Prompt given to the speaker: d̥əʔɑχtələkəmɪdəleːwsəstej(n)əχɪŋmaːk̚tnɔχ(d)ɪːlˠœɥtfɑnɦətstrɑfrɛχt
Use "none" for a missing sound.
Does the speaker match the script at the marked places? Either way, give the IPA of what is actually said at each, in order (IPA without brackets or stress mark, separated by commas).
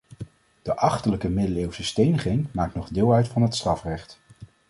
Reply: n, d